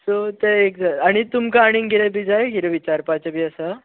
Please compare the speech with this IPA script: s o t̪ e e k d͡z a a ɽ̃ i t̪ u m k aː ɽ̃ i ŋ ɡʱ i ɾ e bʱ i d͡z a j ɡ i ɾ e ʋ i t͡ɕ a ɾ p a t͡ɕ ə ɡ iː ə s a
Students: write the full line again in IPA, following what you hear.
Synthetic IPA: s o t̪ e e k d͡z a a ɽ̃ i t̪ u m k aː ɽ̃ i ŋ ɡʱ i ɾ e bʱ i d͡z a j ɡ i ɾ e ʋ i t͡ɕ a ɾ p a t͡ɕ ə b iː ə s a